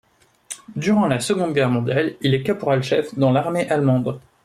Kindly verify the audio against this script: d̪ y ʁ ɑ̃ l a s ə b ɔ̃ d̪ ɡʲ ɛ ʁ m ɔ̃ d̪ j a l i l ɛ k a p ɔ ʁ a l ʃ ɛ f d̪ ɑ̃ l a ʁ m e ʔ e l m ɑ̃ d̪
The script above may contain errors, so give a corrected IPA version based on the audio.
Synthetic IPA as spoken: d̪ y ʁ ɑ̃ l a s ə ɡ ɔ̃ d̪ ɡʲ ɛ ʁ m ɔ̃ d̪ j a l i l ɛ k a p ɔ ʁ a l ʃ ɛ f d̪ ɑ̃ l a ʁ m e ʔ a l m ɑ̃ d̪